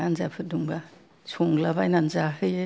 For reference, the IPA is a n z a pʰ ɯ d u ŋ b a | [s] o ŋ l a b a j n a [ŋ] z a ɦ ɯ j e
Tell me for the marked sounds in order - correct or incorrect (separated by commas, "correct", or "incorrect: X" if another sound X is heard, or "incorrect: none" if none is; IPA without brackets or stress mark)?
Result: correct, incorrect: n